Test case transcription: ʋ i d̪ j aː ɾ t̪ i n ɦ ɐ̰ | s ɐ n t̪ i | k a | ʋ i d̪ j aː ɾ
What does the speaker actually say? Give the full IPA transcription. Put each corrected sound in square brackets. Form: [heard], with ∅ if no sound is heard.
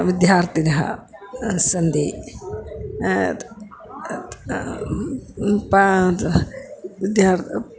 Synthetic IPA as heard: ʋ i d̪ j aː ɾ t̪ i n ɦ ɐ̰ | s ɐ n [d̪] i | [p] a | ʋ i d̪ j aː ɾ